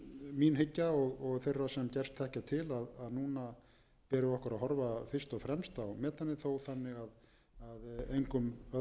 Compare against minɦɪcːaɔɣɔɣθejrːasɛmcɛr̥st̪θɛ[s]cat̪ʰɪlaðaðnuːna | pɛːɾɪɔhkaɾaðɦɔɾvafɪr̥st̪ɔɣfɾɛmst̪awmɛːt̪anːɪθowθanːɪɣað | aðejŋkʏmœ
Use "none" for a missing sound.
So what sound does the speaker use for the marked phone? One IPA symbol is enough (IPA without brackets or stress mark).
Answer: h